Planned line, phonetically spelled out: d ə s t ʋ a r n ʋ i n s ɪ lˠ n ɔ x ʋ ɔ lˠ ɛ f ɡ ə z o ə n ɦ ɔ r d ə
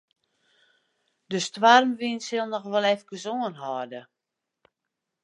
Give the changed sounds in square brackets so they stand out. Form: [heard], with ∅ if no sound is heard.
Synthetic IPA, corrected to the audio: d ə s t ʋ a r [m] ʋ i n s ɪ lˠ n ɔ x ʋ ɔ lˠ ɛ f ɡ ə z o ə n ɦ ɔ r d ə